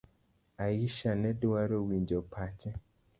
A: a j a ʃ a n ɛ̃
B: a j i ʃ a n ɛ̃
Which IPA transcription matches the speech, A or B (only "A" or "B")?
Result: B